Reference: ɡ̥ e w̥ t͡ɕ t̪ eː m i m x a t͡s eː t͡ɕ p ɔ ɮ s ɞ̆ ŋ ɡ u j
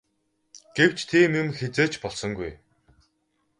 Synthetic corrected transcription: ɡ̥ e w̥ t͡ɕ t̪ʰ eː m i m x e t͡s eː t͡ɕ p ɔ ɮ s ɞ̆ ŋ ɡ u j